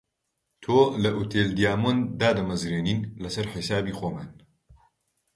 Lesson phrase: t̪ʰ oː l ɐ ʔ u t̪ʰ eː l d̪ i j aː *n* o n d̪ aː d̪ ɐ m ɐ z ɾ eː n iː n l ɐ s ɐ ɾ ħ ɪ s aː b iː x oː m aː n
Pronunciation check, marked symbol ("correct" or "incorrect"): incorrect